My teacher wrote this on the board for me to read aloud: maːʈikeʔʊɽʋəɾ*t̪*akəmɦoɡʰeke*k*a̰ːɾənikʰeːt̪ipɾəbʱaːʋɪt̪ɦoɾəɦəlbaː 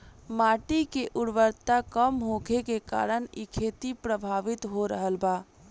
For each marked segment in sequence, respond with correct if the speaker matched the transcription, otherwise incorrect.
correct, correct

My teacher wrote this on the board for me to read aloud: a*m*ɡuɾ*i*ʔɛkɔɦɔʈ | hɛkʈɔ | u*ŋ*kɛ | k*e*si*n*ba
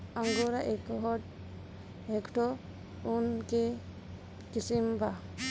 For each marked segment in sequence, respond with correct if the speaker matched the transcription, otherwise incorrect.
incorrect: ŋ, incorrect: a, incorrect: n, incorrect: i, incorrect: m

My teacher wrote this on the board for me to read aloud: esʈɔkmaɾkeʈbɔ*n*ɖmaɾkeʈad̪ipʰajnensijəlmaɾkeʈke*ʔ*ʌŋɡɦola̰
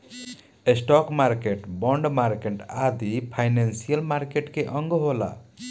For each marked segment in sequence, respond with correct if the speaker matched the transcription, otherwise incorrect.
incorrect: ɳ, correct

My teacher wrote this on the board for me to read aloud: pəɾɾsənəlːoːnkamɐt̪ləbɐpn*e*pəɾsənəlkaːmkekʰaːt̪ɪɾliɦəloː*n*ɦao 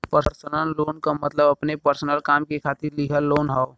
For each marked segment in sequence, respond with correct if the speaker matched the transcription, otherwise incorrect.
correct, correct

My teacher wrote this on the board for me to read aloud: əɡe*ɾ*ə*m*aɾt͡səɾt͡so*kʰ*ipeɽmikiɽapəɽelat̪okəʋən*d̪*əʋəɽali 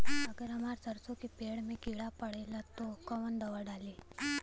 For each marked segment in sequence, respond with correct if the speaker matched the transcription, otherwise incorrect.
correct, correct, incorrect: k, correct

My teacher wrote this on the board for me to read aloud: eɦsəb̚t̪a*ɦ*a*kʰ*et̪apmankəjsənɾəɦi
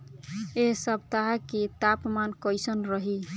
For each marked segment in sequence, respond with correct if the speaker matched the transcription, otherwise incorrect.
correct, incorrect: k

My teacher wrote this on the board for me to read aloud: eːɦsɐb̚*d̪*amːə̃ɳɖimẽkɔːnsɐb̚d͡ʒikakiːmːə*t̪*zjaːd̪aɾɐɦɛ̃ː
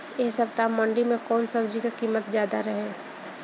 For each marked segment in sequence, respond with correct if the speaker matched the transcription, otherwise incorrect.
incorrect: t̪, correct

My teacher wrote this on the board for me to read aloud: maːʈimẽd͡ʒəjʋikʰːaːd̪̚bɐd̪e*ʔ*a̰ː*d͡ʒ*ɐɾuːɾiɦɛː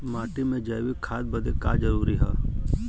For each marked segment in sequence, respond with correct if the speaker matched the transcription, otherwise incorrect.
incorrect: k, correct

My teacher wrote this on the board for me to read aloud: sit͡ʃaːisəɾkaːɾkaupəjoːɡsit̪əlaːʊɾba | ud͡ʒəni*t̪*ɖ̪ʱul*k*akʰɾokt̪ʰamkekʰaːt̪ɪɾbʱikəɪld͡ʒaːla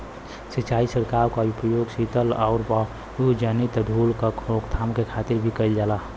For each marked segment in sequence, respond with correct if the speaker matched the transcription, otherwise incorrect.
correct, correct

